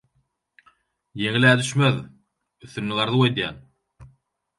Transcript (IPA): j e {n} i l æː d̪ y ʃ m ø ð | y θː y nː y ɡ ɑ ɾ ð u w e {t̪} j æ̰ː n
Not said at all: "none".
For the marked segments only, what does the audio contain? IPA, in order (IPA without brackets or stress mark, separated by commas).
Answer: ŋ, d̪